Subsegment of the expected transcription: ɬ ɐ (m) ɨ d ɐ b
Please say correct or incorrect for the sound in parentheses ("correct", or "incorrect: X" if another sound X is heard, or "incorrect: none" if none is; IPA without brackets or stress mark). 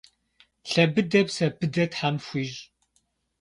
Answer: incorrect: b